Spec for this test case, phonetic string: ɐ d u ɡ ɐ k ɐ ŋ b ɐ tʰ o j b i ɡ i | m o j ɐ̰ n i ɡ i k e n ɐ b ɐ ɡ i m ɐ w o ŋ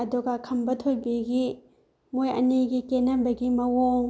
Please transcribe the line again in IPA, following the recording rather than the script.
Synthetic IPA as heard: ɐ d u ɡ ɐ kʰ ɐ m b ɐ tʰ o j b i ɡ i | m o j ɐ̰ n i ɡ i k e n ɐ b ɐ ɡ i m ɐ w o ŋ